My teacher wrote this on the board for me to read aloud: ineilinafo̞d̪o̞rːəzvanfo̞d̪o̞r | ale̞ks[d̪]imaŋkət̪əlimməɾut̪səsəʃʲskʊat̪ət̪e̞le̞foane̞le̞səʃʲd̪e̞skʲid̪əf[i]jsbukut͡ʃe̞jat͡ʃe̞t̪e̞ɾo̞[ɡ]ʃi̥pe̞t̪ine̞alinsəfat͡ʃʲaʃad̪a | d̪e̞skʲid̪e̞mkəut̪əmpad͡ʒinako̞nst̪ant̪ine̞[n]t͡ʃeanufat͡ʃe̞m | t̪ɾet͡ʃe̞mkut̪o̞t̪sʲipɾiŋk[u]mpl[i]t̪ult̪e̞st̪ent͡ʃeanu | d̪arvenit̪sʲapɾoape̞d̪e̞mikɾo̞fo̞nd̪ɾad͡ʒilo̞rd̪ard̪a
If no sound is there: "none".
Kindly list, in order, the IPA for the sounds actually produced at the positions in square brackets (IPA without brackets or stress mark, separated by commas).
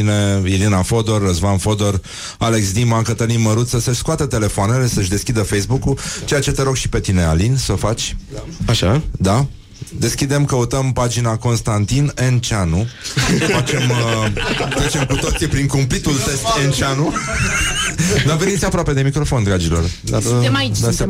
d̪, e, ɡ, n, u, i